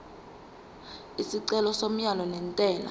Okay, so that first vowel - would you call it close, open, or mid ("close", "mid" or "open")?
close